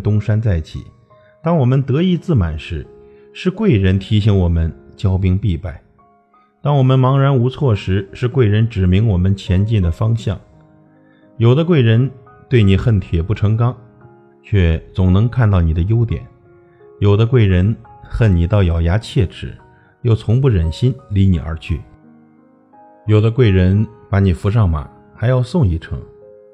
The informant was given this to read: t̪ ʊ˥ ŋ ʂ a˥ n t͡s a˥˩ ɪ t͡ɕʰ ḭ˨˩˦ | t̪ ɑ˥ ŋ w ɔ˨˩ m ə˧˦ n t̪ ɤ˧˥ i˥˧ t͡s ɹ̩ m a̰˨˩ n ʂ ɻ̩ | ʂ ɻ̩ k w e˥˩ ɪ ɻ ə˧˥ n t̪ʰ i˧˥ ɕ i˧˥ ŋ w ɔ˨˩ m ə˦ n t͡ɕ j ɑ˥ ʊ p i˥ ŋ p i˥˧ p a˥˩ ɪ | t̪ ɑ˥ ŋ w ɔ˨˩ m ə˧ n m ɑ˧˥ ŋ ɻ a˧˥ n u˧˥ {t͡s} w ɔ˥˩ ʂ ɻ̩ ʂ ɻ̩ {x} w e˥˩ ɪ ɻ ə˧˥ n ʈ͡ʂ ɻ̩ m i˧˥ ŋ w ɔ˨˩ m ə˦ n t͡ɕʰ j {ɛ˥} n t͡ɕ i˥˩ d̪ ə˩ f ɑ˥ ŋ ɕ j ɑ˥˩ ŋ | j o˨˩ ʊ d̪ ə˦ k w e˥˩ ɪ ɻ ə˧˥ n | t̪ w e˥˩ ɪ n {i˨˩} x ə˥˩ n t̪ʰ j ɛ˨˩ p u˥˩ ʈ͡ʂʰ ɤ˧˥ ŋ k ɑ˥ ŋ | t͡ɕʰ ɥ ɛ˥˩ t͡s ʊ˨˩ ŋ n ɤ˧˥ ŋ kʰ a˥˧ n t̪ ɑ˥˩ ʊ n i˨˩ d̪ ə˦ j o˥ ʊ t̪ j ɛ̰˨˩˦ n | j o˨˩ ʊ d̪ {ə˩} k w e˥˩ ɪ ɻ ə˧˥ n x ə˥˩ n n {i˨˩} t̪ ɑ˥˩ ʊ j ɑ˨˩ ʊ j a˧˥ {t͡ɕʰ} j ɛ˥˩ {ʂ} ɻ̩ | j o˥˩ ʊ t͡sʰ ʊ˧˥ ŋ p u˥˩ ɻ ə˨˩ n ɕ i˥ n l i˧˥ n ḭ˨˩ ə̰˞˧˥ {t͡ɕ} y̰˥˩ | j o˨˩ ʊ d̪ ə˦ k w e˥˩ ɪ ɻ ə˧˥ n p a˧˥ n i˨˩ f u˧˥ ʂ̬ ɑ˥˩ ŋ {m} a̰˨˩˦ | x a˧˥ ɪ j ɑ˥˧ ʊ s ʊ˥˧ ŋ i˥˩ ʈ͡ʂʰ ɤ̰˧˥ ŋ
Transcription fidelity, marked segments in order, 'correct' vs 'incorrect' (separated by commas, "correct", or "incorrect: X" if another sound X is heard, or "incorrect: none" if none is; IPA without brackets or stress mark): incorrect: t͡sʰ, incorrect: k, incorrect: ɛ˧˥, correct, incorrect: ə˦, correct, correct, incorrect: ʈ͡ʂ, incorrect: t͡ɕʰ, correct